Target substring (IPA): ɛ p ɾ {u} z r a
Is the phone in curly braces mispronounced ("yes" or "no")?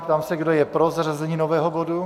yes